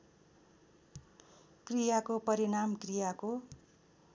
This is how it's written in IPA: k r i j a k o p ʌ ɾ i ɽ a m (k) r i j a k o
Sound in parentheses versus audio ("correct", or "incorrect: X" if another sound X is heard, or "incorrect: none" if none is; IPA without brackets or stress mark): correct